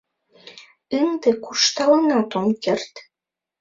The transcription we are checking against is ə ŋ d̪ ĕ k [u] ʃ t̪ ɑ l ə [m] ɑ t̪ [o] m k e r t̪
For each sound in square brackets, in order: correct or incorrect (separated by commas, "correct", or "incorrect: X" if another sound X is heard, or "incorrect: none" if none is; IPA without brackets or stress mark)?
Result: correct, incorrect: n, correct